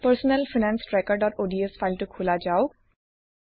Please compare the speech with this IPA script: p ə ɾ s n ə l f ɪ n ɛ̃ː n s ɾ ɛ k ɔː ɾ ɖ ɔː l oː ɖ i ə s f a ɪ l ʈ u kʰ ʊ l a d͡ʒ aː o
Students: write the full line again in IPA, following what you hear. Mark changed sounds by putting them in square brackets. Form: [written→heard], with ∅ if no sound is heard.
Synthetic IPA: p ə ɾ s n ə l f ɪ n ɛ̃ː n s ɾ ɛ k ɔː ɾ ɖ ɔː [l→ɾ] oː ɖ i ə s f a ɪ l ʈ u kʰ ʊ l a d͡ʒ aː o